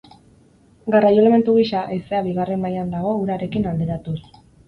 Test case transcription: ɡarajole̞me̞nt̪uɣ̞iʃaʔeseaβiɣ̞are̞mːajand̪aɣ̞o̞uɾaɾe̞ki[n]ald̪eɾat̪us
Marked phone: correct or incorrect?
correct